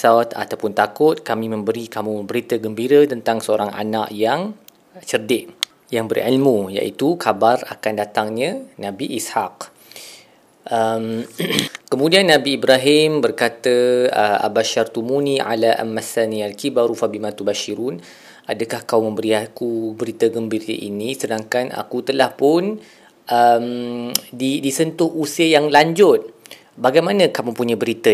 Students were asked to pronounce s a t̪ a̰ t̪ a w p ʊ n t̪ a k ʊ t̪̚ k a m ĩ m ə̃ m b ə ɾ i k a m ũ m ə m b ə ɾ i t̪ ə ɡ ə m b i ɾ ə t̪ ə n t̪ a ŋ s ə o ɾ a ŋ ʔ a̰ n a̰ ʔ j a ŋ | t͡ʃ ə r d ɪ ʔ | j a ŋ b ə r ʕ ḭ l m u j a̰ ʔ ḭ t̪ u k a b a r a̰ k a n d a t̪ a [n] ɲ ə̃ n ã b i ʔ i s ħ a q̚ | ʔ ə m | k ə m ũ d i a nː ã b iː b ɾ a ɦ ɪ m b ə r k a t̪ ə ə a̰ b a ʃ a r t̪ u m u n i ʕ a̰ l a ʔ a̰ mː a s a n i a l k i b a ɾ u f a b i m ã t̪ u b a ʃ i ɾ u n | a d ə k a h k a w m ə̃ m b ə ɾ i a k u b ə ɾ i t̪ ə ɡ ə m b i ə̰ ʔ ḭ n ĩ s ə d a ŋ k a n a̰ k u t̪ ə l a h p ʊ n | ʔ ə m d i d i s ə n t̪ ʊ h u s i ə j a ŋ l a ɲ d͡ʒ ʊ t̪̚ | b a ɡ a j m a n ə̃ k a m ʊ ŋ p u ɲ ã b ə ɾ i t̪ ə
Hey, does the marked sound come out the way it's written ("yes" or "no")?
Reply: no